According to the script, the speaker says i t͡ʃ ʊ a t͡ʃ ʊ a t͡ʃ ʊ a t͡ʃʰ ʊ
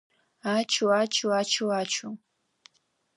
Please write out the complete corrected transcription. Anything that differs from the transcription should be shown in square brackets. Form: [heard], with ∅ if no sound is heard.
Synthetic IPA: [a] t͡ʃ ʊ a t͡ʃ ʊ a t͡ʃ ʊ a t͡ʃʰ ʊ

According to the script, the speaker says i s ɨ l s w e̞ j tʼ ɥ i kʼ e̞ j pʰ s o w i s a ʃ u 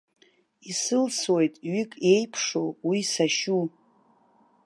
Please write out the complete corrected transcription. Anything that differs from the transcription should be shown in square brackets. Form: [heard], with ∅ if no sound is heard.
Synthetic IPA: i s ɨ l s w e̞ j tʼ ɥ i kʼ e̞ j pʰ [ʂ] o w i s a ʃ u

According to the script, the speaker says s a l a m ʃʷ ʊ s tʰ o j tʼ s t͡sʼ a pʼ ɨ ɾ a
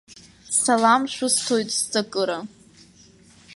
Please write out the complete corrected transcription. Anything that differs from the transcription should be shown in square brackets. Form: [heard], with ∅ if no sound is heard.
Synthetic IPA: s a l a m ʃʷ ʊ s tʰ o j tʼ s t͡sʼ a [kʼ] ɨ ɾ a

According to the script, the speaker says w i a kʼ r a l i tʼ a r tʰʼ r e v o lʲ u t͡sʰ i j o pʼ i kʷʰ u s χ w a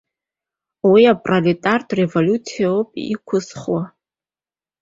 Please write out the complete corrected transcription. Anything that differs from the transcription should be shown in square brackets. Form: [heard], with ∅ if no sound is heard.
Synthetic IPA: w i a [pʼ] r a l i tʼ a r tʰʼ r e v o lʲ u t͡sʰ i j o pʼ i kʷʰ [ʊ] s χ w a

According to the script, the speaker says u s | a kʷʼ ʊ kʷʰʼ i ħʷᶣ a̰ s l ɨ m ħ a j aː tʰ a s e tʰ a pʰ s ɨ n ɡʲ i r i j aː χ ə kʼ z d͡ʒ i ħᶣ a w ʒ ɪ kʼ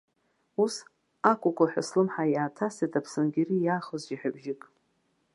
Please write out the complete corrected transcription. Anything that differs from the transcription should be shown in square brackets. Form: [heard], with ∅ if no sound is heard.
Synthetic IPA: u s | a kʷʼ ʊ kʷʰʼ [a] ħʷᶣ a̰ s l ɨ m ħ a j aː tʰ a s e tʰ a pʰ s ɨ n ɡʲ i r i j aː χ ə [∅] z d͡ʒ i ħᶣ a [b] ʒ ɪ kʼ

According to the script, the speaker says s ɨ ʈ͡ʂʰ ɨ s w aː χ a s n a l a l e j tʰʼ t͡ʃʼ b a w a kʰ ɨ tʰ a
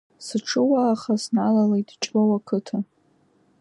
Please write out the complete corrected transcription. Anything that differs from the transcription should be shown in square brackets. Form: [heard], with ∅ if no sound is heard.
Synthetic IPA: s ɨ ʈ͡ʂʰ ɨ [∅] w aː χ a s n a l a l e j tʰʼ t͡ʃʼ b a w a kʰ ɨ tʰ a

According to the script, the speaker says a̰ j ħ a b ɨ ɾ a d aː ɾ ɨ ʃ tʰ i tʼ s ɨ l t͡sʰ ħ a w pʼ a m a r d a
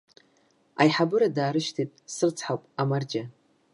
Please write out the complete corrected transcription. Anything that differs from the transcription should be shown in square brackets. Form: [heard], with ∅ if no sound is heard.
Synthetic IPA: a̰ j ħ a b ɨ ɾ a d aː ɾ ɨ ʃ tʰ i tʼ s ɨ [r] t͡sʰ ħ a w pʼ a m a r [d͡ʒ] a

